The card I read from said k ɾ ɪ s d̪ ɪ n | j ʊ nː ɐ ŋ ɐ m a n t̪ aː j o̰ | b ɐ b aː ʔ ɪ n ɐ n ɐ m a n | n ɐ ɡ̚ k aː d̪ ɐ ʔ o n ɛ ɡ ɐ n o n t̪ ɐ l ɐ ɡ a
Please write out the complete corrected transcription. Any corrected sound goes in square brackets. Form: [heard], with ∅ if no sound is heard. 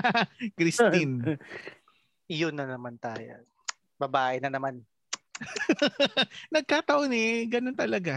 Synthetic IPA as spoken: k ɾ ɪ s [t̪] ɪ n | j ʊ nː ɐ [n] ɐ m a n t̪ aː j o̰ | b ɐ b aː ʔ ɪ n ɐ n ɐ m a n | n ɐ ɡ̚ k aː [t̪] ɐ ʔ o n ɛ ɡ ɐ n o n t̪ ɐ l ɐ ɡ a